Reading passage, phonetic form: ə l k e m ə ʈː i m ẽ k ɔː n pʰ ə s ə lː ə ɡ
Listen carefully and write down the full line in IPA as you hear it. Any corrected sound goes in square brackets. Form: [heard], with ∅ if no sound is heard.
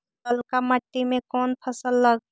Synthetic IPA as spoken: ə l k [a] m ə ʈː i m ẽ k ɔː n pʰ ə s ə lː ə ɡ